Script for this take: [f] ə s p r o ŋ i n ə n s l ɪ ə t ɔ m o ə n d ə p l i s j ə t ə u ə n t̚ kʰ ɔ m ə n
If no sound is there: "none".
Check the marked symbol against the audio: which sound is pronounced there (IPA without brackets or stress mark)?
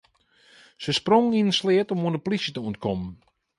s